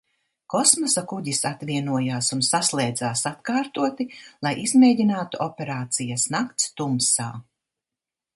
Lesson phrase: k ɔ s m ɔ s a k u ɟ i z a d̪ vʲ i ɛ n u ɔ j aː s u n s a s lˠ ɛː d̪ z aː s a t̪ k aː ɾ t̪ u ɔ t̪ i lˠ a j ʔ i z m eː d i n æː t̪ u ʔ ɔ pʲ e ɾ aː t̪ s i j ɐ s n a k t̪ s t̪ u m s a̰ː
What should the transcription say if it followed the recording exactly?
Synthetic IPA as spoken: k ɔ s m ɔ s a k u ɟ i s a t̪ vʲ i ɛ n u ɔ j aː s u n s a s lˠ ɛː d̪ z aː s a t̪ k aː ɾ t̪ u ɔ t̪ i lˠ a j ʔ i z m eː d i n aː t̪ u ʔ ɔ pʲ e ɾ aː t̪ s i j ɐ s n a k t̪ s t̪ u m s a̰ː